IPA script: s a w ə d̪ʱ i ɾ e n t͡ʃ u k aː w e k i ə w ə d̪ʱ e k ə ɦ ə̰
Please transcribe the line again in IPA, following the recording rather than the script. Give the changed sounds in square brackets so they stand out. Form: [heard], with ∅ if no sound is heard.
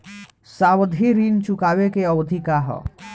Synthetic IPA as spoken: s a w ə d̪ʱ i ɾ [i] n t͡ʃ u k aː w e k [e] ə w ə d̪ʱ [i] k [a] ɦ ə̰